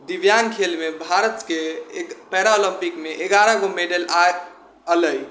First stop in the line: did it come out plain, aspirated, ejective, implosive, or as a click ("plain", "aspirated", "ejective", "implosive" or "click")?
plain